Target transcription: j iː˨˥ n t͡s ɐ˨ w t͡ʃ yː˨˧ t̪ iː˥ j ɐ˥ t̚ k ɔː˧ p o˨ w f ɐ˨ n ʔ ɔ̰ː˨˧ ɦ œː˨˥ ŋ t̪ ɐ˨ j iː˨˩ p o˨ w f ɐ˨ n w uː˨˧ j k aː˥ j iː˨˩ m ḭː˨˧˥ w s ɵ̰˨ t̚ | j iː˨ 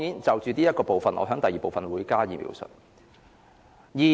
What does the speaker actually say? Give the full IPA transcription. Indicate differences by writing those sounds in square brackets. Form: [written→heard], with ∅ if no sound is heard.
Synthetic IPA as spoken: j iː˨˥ n t͡s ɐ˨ w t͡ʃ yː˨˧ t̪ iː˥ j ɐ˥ t̚ k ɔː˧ p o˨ w f ɐ˨ n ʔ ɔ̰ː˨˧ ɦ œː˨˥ ŋ t̪ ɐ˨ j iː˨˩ p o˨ w f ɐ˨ n w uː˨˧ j k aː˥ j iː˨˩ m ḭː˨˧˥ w s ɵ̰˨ t̚ | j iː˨